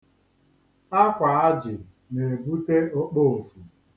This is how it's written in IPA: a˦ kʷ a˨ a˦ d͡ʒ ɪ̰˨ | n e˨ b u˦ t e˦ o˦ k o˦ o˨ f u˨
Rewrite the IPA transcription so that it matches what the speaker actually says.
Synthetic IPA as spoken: a˦ kʷ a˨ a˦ d͡ʒ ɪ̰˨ | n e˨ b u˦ t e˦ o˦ k͡p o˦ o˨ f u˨